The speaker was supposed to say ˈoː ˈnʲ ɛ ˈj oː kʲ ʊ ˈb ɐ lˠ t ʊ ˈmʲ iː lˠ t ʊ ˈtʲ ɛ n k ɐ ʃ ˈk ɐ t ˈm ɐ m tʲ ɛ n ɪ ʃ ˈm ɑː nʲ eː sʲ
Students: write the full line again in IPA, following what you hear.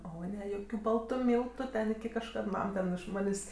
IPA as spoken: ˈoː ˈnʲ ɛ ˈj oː kʲ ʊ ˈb ɐ lˠ t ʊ ˈmʲ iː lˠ t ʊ ˈtʲ ɛ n k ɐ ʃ ˈk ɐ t ˈm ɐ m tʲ ɛ n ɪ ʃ ˈm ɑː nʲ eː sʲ